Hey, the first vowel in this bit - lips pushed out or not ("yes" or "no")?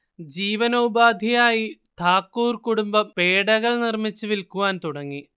no